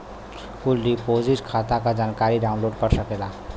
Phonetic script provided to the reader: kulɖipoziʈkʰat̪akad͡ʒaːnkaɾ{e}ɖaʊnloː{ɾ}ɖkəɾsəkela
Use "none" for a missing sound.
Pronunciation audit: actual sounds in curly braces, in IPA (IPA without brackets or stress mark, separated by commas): i, none